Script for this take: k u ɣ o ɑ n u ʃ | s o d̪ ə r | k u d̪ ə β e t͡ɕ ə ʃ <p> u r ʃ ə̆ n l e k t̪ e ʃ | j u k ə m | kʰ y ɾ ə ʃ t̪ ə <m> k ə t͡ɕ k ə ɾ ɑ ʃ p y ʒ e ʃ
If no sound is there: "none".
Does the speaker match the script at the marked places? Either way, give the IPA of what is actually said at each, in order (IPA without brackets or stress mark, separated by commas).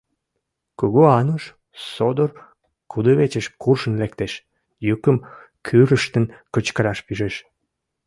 k, n